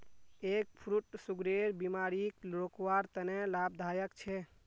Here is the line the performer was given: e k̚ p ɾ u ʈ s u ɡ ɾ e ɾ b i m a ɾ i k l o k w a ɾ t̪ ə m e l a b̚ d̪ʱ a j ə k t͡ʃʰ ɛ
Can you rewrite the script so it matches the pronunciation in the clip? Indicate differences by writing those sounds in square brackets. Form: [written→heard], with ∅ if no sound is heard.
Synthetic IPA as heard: e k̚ [p→pʰ] ɾ u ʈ s u ɡ ɾ e ɾ b i m a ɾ i k l o k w a ɾ t̪ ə [m→n] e l a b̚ d̪ʱ a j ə k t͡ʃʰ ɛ